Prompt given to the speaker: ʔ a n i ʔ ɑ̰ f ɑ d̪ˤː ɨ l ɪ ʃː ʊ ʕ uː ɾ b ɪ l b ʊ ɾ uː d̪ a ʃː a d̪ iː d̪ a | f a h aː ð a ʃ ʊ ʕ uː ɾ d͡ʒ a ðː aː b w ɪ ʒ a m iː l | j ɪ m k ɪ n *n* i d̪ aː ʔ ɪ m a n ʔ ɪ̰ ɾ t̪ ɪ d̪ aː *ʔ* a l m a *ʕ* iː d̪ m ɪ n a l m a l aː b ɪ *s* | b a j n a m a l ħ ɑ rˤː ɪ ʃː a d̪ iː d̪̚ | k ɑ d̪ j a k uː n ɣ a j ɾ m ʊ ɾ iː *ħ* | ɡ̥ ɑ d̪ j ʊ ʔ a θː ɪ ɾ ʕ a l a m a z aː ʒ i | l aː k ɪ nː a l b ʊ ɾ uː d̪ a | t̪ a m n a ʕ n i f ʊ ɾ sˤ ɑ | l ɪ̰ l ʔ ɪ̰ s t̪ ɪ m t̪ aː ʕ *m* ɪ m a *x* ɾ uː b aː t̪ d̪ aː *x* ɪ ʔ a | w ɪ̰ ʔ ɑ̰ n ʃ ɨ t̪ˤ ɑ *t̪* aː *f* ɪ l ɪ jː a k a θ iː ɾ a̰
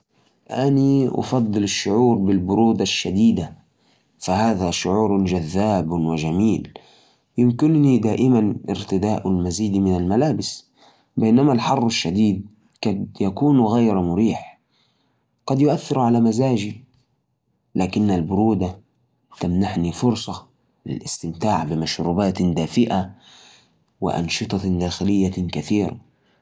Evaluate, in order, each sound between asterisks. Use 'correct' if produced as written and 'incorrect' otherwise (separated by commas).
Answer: correct, correct, incorrect, correct, correct, incorrect, incorrect, incorrect, incorrect, incorrect